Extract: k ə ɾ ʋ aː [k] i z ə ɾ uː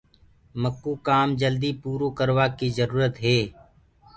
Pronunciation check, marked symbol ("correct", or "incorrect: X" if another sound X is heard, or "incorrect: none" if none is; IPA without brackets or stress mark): correct